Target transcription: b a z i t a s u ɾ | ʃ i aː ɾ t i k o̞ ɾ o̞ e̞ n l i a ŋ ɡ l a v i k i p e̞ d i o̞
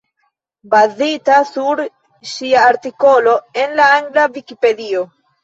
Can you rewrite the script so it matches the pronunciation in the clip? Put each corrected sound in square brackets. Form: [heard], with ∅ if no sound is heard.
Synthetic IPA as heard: b a z i t a s u ɾ | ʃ i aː ɾ t i k o̞ [l] o̞ e̞ n l [a] a ŋ ɡ l a v i k i p e̞ d i o̞